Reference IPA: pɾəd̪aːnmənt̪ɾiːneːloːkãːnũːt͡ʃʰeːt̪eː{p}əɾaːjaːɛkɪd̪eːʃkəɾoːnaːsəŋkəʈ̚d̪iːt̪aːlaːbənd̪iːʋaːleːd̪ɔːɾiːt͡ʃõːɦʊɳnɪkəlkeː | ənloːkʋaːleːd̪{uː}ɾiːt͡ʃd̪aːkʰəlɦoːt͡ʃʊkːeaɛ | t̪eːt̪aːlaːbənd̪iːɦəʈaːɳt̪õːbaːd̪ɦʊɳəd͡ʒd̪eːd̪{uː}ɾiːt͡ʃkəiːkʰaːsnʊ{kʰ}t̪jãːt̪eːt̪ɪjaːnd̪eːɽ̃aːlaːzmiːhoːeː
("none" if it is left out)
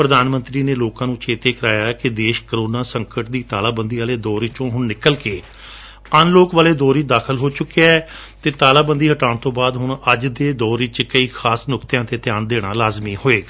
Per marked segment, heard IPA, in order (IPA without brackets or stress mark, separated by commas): k, ɔː, ɔː, k